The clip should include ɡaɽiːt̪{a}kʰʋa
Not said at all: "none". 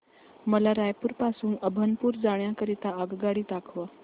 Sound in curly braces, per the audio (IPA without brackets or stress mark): a